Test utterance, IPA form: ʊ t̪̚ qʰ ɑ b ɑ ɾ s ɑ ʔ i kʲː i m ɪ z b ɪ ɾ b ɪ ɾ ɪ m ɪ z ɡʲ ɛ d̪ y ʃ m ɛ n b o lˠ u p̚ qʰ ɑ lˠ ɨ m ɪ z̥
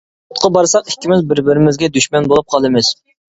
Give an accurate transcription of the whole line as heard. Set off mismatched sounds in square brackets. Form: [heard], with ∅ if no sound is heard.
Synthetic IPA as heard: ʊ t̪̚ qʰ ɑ b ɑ ɾ s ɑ [q] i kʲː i m ɪ z b ɪ ɾ b ɪ ɾ ɪ m ɪ z ɡʲ ɛ d̪ y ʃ m ɛ n b o lˠ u p̚ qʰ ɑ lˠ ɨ m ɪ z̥